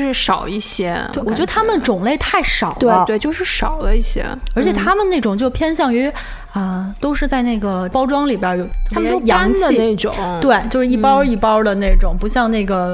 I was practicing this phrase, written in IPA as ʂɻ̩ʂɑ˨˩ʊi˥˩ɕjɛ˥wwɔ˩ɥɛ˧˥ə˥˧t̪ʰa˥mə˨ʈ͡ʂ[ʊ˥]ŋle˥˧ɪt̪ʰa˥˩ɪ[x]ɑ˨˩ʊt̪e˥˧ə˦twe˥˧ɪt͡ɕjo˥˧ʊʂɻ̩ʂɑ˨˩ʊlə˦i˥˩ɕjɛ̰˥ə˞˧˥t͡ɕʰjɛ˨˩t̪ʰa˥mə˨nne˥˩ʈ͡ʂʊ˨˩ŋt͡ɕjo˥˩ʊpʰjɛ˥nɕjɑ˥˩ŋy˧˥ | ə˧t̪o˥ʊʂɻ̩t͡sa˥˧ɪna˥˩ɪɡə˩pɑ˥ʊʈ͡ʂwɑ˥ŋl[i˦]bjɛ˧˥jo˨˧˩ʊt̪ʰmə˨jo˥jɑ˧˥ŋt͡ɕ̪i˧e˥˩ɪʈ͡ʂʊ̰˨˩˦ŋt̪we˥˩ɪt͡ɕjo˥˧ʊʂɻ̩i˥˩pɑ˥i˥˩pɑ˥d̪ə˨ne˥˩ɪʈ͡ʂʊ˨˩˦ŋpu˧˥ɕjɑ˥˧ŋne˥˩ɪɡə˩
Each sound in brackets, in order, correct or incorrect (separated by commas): incorrect, incorrect, incorrect